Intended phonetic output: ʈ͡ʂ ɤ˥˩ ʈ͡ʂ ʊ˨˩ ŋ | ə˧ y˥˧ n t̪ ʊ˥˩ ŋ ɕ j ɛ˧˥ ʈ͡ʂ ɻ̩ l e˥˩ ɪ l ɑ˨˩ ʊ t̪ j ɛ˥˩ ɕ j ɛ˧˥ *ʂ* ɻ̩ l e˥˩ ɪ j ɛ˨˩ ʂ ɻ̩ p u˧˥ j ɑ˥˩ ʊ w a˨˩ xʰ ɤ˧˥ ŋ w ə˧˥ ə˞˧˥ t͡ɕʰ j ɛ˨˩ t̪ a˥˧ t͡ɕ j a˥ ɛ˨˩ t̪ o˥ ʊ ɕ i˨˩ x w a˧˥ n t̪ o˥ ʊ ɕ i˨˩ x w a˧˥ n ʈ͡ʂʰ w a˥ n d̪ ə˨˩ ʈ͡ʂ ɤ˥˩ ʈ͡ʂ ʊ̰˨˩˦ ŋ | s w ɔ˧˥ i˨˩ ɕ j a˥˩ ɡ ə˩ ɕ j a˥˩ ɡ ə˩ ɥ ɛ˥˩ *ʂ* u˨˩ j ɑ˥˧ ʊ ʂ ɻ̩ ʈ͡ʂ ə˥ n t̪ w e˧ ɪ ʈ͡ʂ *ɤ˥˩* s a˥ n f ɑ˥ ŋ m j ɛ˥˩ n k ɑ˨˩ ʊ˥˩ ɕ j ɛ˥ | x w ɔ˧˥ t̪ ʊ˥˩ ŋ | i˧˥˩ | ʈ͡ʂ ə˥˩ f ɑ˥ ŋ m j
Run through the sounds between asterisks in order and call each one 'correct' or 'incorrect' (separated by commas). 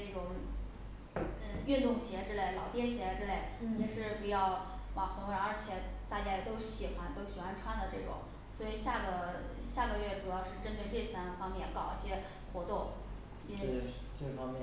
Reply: incorrect, incorrect, correct